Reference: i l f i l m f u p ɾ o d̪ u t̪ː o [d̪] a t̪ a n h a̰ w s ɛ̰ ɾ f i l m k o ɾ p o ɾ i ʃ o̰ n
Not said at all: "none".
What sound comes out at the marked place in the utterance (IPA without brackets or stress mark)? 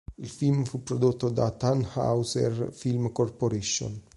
d̪